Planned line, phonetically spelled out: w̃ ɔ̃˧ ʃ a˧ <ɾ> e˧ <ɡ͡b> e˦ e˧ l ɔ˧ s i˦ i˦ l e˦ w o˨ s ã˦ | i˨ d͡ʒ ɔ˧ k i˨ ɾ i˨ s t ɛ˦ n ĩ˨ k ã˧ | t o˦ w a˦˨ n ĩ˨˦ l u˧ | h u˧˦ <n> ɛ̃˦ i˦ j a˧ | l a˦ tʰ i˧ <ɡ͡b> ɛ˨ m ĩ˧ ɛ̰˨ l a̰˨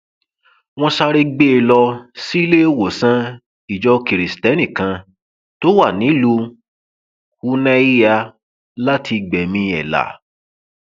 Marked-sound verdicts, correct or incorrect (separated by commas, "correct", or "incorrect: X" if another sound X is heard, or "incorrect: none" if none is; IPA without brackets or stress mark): correct, correct, correct, correct